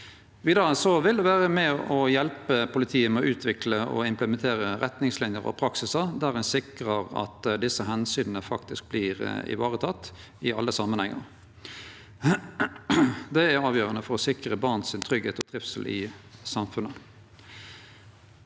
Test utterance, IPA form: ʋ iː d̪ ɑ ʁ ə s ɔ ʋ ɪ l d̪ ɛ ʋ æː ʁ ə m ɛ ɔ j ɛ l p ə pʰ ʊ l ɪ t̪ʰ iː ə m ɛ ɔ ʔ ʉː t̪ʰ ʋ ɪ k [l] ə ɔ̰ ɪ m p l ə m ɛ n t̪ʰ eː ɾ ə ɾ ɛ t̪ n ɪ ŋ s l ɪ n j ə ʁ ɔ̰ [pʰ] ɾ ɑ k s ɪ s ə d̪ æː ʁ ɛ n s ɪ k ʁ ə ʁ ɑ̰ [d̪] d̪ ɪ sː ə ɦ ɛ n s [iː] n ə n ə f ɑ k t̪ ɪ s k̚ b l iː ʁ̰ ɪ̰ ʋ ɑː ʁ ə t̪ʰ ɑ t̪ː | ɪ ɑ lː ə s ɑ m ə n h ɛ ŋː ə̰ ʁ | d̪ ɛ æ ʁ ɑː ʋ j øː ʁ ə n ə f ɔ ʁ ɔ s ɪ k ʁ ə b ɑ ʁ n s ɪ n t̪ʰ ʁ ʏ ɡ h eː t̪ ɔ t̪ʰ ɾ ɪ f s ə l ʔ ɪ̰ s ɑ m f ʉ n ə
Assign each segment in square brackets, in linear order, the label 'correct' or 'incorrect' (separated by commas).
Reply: correct, correct, incorrect, incorrect